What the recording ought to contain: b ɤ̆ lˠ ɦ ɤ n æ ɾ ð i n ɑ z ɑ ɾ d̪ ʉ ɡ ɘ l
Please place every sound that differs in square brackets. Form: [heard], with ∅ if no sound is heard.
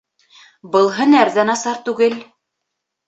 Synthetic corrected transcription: b ɤ̆ lˠ ɦ ɤ n æ ɾ ð [æ] n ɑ [s] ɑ ɾ [t̪] ʉ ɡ ɘ l